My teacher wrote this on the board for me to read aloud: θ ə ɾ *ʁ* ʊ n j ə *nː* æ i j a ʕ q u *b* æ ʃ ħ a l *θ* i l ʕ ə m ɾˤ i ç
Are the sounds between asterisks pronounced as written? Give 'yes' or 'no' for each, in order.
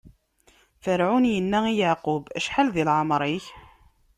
no, yes, yes, no

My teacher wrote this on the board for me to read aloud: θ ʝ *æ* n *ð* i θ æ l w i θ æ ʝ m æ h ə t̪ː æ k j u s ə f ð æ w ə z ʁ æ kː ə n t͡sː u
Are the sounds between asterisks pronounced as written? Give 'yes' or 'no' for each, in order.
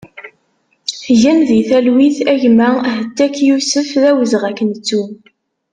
yes, yes

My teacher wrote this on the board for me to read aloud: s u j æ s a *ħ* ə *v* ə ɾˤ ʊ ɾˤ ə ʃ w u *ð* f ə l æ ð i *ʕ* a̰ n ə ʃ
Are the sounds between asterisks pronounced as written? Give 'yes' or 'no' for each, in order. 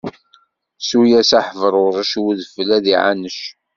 yes, yes, yes, yes

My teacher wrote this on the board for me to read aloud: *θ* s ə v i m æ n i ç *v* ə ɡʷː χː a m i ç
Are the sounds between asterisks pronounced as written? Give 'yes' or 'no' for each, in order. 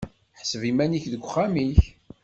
no, no

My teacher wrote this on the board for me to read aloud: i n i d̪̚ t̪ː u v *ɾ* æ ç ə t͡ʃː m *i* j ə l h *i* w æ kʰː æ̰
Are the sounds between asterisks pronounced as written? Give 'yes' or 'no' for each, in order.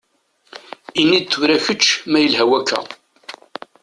yes, no, no

